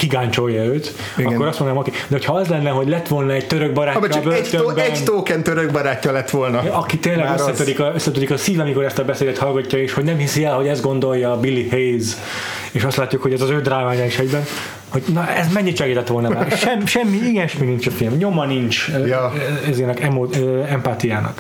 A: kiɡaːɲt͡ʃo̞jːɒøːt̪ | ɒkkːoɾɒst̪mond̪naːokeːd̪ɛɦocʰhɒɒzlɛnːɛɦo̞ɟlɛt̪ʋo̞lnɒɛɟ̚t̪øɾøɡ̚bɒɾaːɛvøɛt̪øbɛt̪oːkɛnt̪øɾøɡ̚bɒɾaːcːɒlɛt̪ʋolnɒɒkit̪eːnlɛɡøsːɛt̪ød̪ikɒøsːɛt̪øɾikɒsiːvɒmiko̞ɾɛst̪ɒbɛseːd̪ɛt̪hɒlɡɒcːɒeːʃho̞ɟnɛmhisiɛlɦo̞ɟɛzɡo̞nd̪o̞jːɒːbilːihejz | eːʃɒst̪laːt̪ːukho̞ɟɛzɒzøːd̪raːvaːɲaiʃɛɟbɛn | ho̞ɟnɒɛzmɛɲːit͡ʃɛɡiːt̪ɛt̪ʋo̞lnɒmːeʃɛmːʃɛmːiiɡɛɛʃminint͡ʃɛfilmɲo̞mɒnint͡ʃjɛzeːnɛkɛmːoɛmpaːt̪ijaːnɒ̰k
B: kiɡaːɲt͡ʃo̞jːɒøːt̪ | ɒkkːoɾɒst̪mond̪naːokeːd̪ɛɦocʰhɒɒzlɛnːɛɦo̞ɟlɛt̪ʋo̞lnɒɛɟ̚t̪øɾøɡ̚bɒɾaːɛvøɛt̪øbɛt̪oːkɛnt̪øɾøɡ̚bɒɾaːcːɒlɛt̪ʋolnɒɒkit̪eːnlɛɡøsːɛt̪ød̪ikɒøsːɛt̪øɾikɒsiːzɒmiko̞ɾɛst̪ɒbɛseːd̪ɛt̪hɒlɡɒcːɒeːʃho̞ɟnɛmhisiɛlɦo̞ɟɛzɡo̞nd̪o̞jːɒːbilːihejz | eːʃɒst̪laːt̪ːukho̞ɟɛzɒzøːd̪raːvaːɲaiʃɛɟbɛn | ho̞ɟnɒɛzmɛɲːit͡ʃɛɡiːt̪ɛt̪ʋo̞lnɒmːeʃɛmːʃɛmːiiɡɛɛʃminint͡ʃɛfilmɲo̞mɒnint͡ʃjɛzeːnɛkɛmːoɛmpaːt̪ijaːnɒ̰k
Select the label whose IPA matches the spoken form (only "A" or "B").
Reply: A